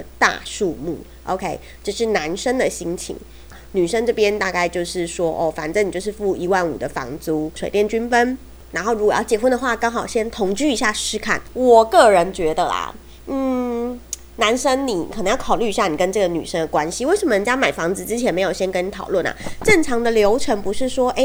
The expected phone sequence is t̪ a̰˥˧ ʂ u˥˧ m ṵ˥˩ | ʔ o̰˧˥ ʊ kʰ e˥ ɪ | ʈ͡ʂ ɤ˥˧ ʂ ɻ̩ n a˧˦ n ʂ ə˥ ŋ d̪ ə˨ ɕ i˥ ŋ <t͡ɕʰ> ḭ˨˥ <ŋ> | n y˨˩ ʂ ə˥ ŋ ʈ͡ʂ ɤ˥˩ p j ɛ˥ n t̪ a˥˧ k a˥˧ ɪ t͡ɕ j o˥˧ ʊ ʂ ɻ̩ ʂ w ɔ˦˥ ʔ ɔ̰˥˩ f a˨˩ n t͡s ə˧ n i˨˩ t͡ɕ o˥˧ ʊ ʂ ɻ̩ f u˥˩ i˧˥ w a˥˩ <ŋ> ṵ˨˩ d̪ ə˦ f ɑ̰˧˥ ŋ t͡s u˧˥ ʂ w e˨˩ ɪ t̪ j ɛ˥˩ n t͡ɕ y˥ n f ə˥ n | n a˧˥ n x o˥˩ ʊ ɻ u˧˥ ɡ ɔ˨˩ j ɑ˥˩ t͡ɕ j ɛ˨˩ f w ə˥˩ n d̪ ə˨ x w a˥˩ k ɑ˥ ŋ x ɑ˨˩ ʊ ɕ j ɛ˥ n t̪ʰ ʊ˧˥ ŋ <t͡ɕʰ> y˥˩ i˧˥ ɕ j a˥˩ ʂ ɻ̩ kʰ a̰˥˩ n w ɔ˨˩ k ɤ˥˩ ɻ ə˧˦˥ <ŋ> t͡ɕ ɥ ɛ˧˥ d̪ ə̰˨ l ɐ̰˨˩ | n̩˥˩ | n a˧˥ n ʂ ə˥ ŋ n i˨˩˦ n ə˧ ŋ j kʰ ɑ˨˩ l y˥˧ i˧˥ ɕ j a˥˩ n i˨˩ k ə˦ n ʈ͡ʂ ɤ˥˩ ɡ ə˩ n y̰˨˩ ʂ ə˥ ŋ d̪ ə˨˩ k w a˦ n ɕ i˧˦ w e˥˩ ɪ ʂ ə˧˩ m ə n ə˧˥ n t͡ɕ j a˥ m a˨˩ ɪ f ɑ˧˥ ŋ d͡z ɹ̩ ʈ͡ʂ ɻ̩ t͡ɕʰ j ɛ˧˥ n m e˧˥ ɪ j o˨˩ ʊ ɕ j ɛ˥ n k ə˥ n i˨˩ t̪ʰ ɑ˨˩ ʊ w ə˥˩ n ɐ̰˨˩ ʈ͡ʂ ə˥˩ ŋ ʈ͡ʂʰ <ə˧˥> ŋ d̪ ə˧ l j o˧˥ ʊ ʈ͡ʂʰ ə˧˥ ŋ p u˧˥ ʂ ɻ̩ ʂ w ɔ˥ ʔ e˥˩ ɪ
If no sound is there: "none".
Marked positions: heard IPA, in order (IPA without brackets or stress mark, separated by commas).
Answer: t͡ɕʰ, ŋ, n, t͡ɕ, n, ɑ˧˥